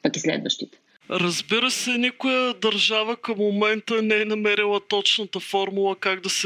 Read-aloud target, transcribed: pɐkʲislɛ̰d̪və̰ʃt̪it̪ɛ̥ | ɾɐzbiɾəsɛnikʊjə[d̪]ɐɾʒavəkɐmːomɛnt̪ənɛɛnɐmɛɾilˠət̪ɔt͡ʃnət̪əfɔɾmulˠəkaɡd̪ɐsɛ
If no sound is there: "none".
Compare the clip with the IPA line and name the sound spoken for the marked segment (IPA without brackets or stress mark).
d̪